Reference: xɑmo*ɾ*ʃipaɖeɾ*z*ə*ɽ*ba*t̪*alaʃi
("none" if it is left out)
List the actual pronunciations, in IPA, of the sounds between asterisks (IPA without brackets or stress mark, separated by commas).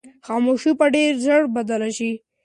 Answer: none, z, ɽ, d̪